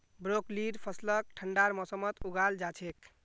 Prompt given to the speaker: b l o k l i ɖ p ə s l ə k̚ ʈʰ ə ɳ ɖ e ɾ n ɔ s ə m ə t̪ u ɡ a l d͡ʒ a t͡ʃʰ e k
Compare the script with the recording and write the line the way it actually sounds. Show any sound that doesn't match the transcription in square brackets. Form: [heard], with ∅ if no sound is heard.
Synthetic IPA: b [ɾ] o k l i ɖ [pʰ] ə s l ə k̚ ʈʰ ə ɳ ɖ [a] ɾ [m] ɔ s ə m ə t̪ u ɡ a l d͡ʒ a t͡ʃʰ e k